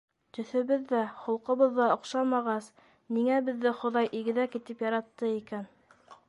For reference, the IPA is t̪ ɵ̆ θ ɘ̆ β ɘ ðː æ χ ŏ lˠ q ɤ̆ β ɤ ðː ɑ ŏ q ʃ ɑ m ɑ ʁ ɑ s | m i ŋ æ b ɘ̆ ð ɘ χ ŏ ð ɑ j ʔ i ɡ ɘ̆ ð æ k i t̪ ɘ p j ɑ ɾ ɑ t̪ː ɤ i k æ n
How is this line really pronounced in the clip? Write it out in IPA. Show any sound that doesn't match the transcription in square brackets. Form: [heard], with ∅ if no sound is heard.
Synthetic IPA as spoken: t̪ ɵ̆ θ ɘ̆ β ɘ ðː æ χ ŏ lˠ q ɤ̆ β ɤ ðː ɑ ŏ q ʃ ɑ m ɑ ʁ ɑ s | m i ŋ æ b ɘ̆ [ðː] ɘ χ ŏ ð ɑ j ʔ i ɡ ɘ̆ ð æ k i t̪ ɘ p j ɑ ɾ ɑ t̪ː ɤ i k æ n